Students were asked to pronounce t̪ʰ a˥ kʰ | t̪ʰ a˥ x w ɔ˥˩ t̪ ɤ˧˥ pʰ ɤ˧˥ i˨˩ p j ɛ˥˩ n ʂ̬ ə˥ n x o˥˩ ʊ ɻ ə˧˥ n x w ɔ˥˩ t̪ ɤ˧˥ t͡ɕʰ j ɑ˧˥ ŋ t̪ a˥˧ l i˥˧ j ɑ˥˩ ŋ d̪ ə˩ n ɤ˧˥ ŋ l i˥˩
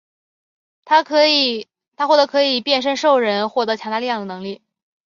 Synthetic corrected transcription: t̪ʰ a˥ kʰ | t̪ʰ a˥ x w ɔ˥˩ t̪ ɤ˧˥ kʰ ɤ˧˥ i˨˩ p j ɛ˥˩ n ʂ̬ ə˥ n ʂ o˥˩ ʊ ɻ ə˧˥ n x w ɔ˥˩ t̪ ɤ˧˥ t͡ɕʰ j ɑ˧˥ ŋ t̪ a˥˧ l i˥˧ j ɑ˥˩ ŋ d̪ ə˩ n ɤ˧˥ ŋ l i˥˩

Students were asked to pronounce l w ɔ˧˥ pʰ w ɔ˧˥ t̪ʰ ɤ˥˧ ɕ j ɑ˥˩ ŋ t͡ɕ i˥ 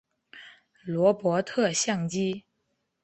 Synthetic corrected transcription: l w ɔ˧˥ p w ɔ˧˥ t̪ʰ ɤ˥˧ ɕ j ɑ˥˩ ŋ t͡ɕ i˥

